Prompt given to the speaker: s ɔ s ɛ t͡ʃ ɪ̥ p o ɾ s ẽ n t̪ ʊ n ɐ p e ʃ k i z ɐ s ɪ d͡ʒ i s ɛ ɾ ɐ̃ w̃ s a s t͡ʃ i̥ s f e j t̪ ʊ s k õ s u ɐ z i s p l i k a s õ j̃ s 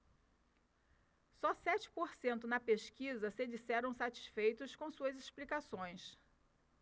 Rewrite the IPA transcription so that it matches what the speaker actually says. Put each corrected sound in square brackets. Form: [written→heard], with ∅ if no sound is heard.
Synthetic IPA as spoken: s ɔ s ɛ t͡ʃ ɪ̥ p o ɾ s ẽ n t̪ ʊ n ɐ p e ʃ k i z ɐ s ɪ d͡ʒ i s ɛ ɾ ɐ̃ w̃ s a [s→∅] t͡ʃ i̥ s f e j t̪ ʊ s k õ s u ɐ z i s p l i k a s õ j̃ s

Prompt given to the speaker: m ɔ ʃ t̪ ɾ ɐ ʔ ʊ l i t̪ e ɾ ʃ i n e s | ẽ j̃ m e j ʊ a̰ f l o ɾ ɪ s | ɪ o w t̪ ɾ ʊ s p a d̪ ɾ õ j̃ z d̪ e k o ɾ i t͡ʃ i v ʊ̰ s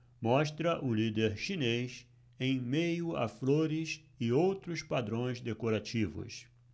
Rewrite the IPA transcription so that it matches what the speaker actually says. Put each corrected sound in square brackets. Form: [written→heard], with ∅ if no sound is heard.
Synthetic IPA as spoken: m ɔ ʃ t̪ ɾ ɐ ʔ ʊ l i [t̪→d̪] e ɾ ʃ i n e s | ẽ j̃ m e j ʊ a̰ f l o ɾ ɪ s | ɪ o w t̪ ɾ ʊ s p a d̪ ɾ õ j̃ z d̪ e k o ɾ [i→a] t͡ʃ i v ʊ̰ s

